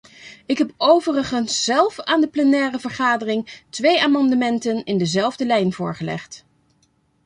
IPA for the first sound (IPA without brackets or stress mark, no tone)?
ɪ